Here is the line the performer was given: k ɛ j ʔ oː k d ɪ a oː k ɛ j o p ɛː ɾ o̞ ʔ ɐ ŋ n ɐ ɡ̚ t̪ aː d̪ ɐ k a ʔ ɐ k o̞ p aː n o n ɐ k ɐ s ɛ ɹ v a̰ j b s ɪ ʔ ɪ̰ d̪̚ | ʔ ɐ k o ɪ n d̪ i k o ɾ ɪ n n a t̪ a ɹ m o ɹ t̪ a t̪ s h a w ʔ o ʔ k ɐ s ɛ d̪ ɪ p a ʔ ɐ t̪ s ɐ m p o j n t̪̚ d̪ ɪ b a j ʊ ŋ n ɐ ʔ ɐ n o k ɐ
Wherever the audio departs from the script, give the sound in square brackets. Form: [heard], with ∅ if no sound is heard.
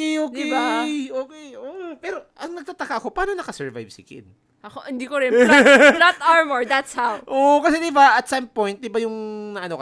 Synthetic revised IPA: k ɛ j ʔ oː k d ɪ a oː k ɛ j o p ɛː ɾ o̞ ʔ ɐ ŋ n ɐ ɡ̚ t̪ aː [t̪] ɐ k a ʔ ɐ k o̞ p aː n o n ɐ k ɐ s ɛ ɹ v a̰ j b s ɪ [k] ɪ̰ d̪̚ | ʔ ɐ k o ɪ n d̪ i k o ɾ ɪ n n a t̪ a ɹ m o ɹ [d̪] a t̪ s h a w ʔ o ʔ k ɐ s ɛ d̪ ɪ [b] a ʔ ɐ t̪ s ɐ m p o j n t̪̚ d̪ ɪ b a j ʊ ŋ n ɐ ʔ ɐ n o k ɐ